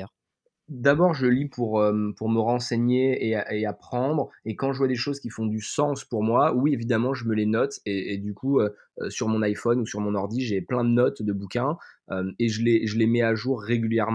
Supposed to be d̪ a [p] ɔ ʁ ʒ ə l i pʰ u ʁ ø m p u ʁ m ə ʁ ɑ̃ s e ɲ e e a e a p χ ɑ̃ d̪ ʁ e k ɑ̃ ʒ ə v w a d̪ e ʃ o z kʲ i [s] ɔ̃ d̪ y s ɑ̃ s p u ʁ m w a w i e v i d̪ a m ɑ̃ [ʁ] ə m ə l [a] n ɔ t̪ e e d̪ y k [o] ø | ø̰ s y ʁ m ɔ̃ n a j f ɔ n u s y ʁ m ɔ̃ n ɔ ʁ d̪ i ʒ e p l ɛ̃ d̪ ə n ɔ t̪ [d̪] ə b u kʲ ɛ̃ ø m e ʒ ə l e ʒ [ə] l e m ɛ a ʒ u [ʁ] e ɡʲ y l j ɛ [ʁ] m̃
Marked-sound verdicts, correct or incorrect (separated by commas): incorrect, incorrect, incorrect, incorrect, incorrect, correct, correct, incorrect, correct